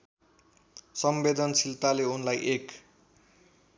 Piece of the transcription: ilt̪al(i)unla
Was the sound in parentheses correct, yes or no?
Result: no